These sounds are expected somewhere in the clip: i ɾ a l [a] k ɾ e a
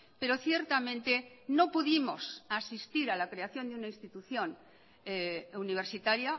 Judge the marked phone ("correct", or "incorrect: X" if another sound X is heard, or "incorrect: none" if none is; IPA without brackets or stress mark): correct